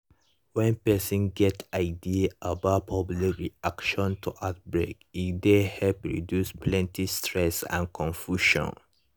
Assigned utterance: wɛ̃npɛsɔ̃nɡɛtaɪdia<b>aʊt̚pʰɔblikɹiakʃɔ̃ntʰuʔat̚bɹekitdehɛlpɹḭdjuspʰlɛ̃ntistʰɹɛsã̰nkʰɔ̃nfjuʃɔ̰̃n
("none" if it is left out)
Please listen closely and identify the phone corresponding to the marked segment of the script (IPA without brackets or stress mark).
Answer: b